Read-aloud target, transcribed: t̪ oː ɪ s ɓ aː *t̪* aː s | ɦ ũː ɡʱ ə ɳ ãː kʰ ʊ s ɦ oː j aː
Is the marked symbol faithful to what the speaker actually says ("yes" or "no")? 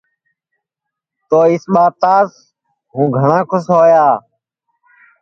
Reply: yes